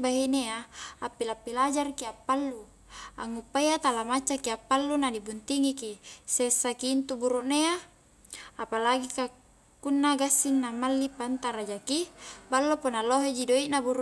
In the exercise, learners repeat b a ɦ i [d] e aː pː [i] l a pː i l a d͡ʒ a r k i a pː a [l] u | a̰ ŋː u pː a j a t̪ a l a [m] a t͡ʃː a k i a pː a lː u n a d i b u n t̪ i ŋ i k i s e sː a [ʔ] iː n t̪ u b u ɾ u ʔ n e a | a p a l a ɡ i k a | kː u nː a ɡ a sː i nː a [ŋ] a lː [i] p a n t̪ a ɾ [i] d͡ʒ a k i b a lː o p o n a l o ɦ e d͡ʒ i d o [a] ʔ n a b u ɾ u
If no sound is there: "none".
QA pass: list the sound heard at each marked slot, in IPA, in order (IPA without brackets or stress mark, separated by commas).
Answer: n, i, lː, m, k, m, i, a, i